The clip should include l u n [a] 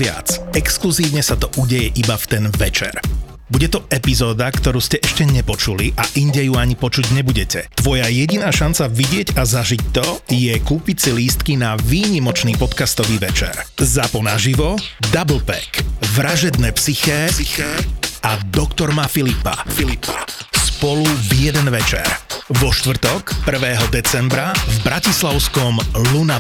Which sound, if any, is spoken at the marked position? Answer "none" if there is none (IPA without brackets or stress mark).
a